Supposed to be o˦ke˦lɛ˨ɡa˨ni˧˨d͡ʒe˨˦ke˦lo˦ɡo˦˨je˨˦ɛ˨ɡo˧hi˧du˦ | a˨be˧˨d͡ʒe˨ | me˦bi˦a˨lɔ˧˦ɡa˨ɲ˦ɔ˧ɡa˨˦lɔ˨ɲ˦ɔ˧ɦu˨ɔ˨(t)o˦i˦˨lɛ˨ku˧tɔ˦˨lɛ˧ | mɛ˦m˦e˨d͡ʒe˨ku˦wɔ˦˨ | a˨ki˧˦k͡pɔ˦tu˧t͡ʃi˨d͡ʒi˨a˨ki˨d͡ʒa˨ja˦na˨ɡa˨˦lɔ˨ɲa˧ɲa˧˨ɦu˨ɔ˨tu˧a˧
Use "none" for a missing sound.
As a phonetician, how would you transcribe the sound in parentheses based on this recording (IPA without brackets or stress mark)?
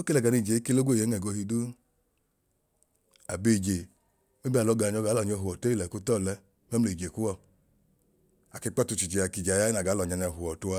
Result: t